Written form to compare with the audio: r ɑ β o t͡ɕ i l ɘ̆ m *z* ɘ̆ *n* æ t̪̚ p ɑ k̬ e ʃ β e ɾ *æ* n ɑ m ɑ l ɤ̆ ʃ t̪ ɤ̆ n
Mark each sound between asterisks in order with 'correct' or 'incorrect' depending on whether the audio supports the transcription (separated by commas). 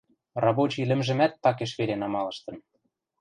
incorrect, incorrect, incorrect